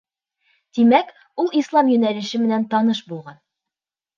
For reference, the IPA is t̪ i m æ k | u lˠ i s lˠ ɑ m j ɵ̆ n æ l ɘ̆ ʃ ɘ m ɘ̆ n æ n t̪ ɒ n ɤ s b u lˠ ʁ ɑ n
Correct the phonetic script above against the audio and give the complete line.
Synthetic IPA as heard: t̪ i m æ k | u lˠ i s lˠ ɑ m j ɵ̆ n æ l ɘ̆ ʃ ɘ m ɘ̆ n æ n t̪ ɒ n ɤ ʃ b u lˠ ʁ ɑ n